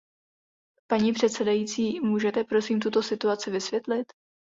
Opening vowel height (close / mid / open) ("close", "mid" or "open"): open